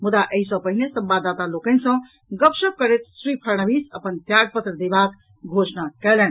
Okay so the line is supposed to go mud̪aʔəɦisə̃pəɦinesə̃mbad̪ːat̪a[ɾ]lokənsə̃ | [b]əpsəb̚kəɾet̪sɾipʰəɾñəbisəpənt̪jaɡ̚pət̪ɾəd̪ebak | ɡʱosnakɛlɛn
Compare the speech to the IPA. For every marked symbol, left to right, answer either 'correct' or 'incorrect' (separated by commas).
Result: incorrect, incorrect